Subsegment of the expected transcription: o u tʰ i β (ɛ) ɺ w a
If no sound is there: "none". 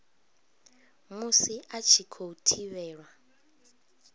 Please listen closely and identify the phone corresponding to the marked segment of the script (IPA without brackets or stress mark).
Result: ɛː